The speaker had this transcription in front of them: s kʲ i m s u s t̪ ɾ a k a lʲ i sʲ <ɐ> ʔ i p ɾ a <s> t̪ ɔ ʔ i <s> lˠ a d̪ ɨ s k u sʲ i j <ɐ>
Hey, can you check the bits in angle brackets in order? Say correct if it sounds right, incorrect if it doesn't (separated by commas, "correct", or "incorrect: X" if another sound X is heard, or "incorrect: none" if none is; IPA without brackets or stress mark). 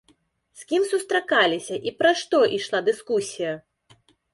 correct, incorrect: ʂ, incorrect: ʂ, correct